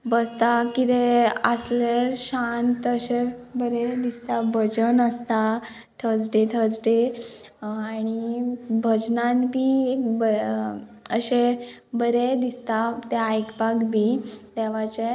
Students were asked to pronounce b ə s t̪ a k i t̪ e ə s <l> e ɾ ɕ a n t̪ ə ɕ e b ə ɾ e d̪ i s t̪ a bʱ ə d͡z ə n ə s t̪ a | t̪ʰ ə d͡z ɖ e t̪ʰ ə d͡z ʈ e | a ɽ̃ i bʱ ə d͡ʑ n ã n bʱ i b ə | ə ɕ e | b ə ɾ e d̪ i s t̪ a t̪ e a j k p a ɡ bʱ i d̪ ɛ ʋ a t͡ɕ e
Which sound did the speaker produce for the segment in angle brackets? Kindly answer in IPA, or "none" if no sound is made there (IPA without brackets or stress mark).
l